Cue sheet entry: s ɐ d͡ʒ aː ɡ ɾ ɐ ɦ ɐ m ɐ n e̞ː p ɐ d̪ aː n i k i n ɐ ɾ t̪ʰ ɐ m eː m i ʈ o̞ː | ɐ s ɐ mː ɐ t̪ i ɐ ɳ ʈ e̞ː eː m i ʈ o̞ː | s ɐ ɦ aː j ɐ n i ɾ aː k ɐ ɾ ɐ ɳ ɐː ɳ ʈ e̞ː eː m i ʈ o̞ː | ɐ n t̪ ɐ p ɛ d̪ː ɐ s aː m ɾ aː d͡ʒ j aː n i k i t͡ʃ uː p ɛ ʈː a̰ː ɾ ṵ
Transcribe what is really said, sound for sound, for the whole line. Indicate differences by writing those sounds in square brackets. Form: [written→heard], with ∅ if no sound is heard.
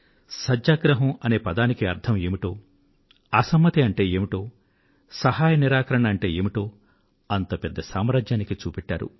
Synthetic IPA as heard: s ɐ d͡ʒ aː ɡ ɾ ɐ ɦ ɐ m ɐ n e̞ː p ɐ d̪ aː n i k i [n→∅] ɐ ɾ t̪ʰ ɐ m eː m i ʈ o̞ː | ɐ s ɐ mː ɐ t̪ i ɐ ɳ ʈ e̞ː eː m i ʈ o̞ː | s ɐ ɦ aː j ɐ n i ɾ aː k ɐ ɾ ɐ ɳ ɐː ɳ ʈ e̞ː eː m i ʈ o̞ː | ɐ n t̪ ɐ p ɛ d̪ː ɐ s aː m ɾ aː d͡ʒ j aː n i k i t͡ʃ uː p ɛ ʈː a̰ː ɾ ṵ